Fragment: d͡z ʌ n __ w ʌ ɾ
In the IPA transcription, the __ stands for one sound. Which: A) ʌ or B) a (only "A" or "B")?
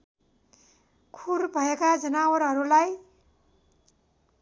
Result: B